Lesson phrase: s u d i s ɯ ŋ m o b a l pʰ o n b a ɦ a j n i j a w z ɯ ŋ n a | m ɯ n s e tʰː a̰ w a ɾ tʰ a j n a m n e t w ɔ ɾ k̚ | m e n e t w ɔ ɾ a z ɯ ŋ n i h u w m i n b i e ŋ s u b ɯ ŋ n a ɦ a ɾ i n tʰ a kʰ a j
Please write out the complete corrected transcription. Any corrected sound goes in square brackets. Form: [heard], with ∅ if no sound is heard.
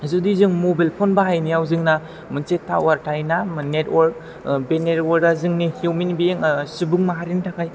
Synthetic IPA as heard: [z] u d i [z] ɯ ŋ m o b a l pʰ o n b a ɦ a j n i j a w z ɯ ŋ n a | m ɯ n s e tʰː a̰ w a ɾ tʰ a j n a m n e t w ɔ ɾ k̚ | [b] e n e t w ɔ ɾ a z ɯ ŋ n i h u w m i n b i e ŋ s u b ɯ ŋ [m] a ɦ a ɾ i n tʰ a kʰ a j